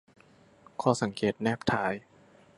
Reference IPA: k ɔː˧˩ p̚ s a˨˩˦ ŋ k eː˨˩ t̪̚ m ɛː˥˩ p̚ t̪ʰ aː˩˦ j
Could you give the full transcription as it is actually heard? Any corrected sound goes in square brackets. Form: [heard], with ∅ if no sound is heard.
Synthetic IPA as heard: [kʰ] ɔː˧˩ [∅] s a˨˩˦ ŋ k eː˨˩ t̪̚ [n] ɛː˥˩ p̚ t̪ʰ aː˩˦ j